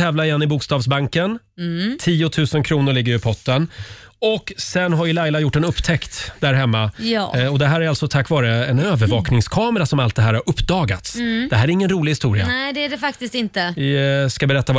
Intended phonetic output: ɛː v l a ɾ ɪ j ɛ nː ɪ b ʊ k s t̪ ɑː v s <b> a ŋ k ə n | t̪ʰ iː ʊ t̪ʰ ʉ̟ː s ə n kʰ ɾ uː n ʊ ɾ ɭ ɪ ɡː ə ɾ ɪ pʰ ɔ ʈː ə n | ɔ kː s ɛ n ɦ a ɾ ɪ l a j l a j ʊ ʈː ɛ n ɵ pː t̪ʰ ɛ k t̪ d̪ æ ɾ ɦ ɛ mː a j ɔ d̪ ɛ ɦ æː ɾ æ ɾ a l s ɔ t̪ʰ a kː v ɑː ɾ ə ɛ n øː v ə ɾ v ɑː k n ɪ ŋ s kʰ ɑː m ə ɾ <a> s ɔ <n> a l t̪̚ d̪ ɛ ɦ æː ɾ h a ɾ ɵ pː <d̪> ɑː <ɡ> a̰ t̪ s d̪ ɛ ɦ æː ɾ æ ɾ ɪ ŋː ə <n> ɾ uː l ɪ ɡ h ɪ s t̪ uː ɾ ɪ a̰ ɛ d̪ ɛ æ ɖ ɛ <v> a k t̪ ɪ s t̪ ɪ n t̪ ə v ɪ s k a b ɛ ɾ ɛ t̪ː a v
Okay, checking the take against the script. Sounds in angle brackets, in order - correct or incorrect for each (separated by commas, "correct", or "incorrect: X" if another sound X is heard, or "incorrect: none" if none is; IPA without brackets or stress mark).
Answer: correct, correct, incorrect: m, correct, correct, correct, incorrect: f